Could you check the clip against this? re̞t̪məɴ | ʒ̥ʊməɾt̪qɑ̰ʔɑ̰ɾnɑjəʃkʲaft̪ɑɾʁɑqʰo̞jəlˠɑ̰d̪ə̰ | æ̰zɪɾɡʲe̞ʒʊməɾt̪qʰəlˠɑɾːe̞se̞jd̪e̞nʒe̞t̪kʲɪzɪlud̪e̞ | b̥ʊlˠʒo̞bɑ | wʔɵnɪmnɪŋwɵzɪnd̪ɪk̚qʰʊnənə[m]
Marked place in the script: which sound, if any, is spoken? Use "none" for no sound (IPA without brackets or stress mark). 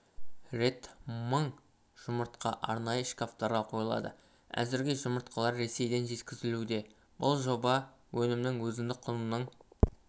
ɴ